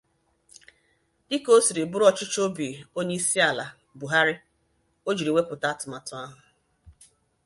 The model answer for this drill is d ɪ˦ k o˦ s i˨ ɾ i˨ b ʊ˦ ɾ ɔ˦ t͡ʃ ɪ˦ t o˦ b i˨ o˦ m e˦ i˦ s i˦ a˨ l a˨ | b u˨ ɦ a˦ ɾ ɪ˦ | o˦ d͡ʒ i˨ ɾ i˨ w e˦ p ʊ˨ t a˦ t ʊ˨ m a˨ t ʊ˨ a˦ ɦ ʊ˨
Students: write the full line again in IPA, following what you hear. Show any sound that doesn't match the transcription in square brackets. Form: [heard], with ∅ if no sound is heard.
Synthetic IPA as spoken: d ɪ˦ k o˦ s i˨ ɾ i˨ b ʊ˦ ɾ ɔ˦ t͡ʃ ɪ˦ [t͡ʃ] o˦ b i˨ o˦ [ɲ] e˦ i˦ s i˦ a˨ l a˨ | b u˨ ɦ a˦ ɾ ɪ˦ | o˦ d͡ʒ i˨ ɾ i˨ w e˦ p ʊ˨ t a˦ t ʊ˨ m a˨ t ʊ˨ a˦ ɦ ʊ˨